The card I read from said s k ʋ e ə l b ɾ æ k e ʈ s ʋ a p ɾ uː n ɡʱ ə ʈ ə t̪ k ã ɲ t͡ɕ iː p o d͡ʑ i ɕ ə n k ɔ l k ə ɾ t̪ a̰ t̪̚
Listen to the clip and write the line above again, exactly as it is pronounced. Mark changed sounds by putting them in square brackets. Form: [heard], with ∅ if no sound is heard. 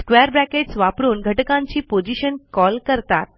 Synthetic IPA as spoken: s k ʋ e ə [ɾ] b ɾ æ k e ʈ s ʋ a p ɾ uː n ɡʱ ə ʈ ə [∅] k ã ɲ t͡ɕ iː p o d͡ʑ i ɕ ə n k ɔ l k ə ɾ t̪ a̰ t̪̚